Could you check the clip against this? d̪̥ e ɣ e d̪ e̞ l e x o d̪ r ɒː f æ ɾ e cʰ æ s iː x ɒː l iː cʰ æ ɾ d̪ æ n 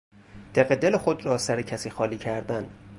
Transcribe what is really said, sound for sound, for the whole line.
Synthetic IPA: d̪̥ e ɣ e d̪ e̞ l e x o d̪ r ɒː s æ ɾ e cʰ æ s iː x ɒː l iː cʰ æ ɾ d̪ æ n